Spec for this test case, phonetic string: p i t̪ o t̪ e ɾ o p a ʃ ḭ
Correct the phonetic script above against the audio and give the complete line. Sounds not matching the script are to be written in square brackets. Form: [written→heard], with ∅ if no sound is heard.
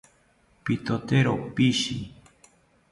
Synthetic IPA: p i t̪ o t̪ e ɾ o p [a→i] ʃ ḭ